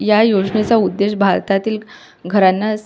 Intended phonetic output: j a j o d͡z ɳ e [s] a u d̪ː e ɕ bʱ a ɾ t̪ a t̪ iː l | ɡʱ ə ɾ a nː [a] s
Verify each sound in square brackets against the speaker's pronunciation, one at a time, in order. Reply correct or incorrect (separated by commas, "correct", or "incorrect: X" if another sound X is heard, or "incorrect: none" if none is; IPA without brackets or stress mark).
incorrect: t͡s, correct